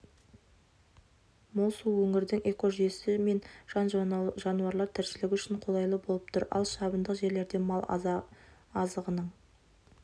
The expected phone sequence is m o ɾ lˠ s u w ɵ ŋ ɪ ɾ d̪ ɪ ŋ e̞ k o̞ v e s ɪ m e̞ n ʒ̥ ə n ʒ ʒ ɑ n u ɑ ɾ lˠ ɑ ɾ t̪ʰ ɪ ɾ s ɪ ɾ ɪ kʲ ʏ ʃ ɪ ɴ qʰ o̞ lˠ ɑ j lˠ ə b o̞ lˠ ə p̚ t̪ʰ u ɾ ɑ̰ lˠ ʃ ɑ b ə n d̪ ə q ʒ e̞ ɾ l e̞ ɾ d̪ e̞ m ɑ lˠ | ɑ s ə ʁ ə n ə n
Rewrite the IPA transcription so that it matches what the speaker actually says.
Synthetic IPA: m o lˠ s u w ɵ ŋ ɪ ɾ d̪ ɪ ŋ e̞ k o̞ ʒ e s ɪ m e̞ n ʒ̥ ɑ n ʒ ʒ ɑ n u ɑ ɾ lˠ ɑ ɾ t̪ʰ ɪ ɾ s ɪ l ɪ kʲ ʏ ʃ ɪ ɴ qʰ o̞ lˠ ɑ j lˠ ə b o̞ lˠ ə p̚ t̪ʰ ʊ ɾ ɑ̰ lˠ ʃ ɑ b ə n d̪ ə q ʒ e̞ ɾ l e̞ ɾ d̪ e̞ m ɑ lˠ | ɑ z ə ʁ ə n ə ɴ